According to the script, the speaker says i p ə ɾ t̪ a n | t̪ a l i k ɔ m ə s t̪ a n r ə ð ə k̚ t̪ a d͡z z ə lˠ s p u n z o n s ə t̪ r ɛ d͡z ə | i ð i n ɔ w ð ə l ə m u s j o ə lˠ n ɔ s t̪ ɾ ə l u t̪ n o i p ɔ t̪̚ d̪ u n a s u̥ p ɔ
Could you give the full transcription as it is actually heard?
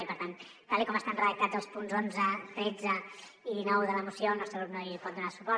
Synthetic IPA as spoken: i p ə ɾ t̪ a n | t̪ a l i k ɔ m ə s t̪ a n r ə ð ə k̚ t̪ a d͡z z ə lˠ s p u n z o n z ə t̪ ɾ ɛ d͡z ə | i ð i n ɔ w ð ə l ə m u s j o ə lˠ n ɔ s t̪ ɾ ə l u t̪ n o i p ɔ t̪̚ d̪ u n a s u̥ p ɔ